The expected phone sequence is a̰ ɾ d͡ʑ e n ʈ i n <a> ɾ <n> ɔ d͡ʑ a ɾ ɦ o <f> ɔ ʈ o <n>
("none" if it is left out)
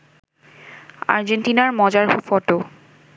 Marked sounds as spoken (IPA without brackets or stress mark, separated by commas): a, m, f, none